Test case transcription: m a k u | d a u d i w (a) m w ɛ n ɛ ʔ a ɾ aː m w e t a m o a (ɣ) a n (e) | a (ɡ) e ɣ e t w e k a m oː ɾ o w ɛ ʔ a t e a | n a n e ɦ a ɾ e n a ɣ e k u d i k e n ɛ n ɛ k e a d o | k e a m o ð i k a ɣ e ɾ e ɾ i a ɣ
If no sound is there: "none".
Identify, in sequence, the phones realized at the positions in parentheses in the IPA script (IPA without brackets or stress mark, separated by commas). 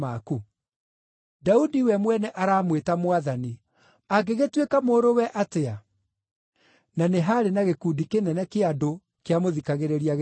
ɛ, ð, i, ɡ